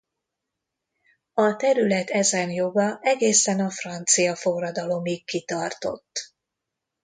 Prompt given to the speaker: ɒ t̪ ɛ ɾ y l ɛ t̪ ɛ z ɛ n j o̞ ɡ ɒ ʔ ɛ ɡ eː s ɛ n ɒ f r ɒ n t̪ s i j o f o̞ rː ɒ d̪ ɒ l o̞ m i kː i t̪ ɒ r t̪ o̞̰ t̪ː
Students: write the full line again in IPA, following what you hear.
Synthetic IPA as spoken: ɒ t̪ ɛ ɾ y l ɛ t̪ ɛ z ɛ n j o̞ ɡ ɒ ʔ ɛ ɡ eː s ɛ n ɒ f r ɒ n t̪ s i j ɒ f o̞ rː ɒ d̪ ɒ l o̞ m i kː i t̪ ɒ r t̪ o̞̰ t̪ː